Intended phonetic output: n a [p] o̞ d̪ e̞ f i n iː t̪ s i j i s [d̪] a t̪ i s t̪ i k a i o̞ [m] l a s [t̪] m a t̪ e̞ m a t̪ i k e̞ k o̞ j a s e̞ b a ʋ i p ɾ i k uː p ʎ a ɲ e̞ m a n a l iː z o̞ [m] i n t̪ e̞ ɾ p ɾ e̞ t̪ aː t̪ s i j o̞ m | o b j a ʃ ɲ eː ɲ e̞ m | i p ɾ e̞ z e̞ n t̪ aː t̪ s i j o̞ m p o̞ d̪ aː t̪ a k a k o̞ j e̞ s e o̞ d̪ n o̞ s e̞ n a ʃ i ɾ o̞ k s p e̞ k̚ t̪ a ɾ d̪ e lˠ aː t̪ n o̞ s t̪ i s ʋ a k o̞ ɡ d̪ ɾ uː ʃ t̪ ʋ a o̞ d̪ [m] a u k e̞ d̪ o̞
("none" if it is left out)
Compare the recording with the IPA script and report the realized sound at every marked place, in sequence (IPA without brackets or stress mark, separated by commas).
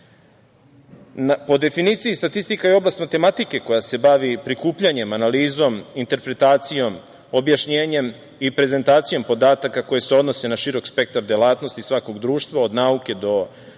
p, t̪, b, t̪, m, n